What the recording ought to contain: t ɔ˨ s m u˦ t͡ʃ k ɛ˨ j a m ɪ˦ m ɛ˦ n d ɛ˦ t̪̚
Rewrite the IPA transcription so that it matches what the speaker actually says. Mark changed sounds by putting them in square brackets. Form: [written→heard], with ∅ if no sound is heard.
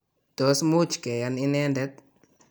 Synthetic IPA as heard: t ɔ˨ s m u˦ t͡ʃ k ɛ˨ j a [m→n] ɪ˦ [m→n] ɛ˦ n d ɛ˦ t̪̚